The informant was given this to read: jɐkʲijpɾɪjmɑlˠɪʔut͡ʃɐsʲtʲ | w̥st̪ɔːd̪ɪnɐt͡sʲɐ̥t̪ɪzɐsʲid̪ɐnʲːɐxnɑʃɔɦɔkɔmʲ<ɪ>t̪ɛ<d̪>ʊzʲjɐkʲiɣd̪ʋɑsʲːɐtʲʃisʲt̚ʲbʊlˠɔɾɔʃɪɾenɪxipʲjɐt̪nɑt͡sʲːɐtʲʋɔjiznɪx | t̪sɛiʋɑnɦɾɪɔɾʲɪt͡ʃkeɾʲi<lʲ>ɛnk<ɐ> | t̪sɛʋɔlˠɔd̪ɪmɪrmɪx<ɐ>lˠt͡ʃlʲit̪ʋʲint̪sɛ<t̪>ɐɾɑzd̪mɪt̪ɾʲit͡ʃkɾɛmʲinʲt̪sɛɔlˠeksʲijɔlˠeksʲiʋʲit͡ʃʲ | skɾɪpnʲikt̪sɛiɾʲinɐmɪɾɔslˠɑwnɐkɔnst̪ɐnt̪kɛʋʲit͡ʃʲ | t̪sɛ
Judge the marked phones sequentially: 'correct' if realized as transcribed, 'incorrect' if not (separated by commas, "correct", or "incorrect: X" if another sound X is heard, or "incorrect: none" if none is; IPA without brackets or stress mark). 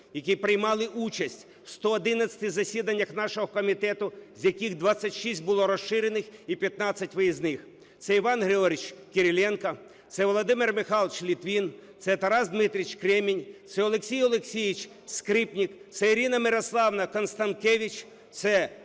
incorrect: i, incorrect: t̪, correct, correct, incorrect: ɑ, correct